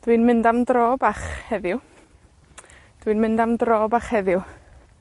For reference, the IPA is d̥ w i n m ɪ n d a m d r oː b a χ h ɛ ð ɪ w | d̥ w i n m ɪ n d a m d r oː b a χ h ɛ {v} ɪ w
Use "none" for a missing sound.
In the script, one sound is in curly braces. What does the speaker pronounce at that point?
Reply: ð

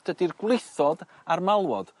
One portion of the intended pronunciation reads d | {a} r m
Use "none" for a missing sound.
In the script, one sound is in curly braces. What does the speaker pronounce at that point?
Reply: a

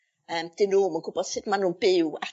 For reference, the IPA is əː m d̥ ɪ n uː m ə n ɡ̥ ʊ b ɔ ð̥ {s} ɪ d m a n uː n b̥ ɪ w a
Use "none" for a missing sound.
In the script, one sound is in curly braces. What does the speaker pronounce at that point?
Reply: s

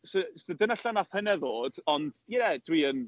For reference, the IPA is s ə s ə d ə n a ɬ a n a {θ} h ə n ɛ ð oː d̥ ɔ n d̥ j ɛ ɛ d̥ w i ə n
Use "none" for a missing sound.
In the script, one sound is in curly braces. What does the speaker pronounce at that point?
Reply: θ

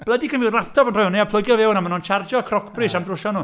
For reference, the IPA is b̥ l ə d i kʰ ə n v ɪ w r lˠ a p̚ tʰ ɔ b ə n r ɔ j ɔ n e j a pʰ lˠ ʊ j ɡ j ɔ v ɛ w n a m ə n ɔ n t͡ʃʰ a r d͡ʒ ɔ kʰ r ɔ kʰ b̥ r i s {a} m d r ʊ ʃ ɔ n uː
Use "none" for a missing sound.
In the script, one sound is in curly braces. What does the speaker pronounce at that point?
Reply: a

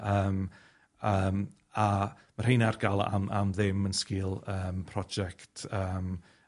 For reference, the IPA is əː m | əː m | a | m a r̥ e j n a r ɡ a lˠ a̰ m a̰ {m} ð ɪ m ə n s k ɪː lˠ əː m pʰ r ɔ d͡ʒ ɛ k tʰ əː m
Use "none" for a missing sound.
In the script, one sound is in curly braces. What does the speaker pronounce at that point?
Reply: m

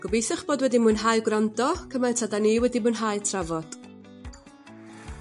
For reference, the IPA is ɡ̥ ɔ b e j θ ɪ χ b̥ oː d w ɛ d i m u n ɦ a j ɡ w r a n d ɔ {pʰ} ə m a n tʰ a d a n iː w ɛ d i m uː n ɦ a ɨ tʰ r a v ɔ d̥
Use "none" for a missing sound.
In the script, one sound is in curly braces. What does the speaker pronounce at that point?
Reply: kʰ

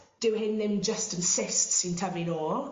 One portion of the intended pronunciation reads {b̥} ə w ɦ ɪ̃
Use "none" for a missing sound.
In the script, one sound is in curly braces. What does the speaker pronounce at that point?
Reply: d̥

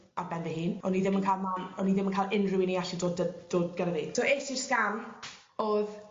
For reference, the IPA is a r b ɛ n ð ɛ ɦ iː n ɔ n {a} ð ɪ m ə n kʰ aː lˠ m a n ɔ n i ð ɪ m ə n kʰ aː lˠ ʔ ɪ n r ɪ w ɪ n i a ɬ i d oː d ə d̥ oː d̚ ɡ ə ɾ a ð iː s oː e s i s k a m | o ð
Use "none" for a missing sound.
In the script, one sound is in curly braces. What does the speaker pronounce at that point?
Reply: i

